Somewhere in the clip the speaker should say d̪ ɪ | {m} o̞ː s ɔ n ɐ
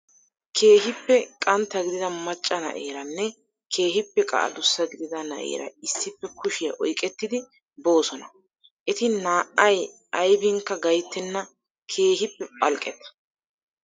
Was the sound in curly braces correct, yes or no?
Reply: no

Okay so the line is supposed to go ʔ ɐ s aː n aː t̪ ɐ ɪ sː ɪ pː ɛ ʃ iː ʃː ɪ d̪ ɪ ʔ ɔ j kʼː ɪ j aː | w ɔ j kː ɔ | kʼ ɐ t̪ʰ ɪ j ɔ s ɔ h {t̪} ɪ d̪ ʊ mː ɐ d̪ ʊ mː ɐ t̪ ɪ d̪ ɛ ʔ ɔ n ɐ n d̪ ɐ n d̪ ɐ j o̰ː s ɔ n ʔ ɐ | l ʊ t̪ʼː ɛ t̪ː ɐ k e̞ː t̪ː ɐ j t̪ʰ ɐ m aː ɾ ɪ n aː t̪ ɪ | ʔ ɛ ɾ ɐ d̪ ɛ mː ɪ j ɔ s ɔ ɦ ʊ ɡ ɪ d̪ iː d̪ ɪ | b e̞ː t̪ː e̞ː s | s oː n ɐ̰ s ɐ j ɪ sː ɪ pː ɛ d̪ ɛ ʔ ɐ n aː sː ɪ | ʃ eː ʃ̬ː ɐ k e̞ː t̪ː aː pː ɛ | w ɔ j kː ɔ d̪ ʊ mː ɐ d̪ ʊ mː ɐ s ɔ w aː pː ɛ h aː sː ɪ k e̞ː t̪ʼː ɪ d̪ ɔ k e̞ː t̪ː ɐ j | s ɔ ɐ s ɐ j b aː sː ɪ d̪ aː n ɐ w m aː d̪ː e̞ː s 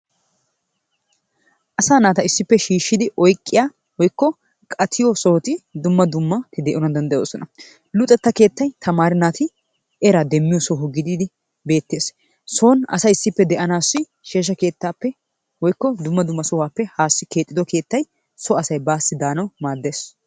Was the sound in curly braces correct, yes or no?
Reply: yes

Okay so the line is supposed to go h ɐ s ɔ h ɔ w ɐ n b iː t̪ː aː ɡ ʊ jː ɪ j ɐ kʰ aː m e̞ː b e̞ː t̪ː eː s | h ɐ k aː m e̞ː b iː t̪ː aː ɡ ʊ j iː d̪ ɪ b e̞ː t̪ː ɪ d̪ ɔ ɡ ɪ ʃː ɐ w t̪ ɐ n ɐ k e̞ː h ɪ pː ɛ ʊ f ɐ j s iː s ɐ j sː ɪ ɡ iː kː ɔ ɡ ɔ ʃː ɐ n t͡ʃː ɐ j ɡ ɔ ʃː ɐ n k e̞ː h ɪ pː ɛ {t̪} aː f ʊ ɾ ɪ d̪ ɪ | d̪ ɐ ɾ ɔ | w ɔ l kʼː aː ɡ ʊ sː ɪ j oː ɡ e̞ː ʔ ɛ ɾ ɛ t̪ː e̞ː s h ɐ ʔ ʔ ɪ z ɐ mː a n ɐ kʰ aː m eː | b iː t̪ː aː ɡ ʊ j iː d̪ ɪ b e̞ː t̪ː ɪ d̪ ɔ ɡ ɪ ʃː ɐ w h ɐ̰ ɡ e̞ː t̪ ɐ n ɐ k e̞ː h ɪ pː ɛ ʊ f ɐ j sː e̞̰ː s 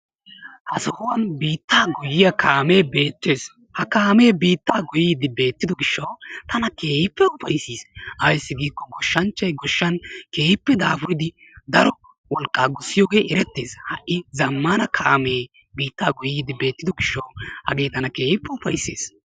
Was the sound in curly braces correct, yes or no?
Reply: no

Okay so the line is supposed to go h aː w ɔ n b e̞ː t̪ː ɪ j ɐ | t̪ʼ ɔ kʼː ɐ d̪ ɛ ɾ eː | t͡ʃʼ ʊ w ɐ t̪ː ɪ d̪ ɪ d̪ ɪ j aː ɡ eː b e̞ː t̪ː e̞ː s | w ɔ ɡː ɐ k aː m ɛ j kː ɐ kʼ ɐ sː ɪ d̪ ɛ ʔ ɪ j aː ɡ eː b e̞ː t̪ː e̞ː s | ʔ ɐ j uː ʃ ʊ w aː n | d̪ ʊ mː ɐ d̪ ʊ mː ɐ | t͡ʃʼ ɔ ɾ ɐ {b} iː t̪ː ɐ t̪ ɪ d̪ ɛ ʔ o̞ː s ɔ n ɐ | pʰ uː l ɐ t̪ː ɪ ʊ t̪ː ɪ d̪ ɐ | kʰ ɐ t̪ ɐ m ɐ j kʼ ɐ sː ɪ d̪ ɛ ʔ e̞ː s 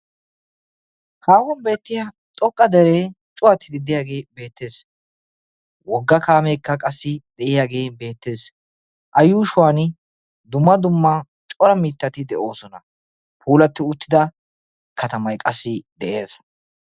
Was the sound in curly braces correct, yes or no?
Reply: no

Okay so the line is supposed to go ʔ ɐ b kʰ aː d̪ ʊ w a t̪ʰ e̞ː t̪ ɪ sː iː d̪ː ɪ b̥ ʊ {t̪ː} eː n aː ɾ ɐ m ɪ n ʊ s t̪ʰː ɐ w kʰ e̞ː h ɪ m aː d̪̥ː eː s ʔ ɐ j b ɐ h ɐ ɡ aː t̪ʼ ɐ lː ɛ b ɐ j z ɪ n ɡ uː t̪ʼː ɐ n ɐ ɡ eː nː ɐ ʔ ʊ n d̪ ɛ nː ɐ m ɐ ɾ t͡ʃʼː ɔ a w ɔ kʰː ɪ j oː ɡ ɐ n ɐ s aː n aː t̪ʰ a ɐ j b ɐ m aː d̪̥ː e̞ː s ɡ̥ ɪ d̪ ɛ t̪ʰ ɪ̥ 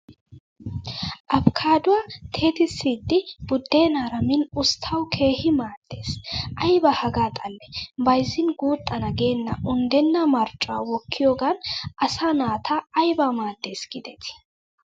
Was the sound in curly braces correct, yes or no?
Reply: no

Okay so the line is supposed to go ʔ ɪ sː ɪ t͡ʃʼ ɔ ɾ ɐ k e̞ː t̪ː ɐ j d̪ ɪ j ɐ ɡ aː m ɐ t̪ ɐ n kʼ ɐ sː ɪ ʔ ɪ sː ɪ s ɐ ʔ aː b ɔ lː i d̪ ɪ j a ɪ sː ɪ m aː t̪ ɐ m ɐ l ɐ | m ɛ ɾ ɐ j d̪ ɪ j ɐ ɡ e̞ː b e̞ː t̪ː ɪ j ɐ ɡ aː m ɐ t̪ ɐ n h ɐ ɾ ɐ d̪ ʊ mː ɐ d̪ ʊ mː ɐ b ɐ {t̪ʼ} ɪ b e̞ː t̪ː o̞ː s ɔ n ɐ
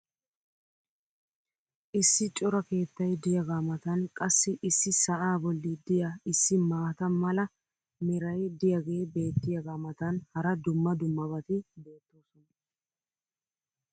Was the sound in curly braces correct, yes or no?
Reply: no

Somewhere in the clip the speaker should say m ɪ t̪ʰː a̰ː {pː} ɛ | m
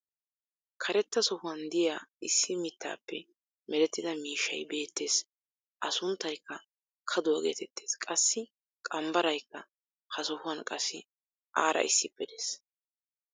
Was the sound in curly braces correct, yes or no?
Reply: yes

